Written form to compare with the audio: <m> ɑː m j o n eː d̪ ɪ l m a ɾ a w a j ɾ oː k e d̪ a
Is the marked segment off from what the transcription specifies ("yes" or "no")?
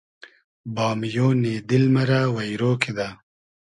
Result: yes